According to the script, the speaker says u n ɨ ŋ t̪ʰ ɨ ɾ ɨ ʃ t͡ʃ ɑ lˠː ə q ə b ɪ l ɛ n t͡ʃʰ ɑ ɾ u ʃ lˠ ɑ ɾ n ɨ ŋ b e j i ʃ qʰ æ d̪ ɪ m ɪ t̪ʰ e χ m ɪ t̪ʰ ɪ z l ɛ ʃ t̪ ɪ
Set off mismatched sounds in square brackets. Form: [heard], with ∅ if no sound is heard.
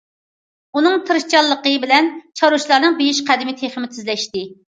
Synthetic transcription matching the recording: u n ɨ ŋ t̪ʰ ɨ ɾ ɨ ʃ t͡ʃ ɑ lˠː ə q ə b ɪ l ɛ n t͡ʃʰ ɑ ɾ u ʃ lˠ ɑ ɾ n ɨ ŋ b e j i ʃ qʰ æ d̪ ɪ m ɪ t̪ʰ e χ m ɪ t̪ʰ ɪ z l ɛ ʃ t̪ ɪ